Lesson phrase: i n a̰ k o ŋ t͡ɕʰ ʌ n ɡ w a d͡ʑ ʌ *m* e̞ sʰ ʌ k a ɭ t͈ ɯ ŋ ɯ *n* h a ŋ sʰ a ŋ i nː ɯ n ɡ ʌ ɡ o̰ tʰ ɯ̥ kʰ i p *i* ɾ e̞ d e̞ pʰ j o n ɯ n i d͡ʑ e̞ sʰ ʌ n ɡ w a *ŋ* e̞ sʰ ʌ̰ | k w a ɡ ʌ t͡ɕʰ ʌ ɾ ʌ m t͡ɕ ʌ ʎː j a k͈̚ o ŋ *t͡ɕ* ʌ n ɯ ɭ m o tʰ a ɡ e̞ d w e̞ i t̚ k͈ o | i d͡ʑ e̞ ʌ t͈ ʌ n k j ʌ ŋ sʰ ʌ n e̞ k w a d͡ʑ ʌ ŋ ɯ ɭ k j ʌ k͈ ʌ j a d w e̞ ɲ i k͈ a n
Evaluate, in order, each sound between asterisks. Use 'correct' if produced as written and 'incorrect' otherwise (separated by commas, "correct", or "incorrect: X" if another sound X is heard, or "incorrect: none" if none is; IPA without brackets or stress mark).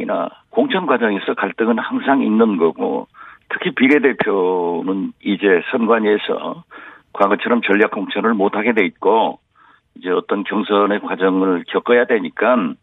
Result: incorrect: ŋ, correct, correct, incorrect: ɲ, incorrect: t͡ɕʰ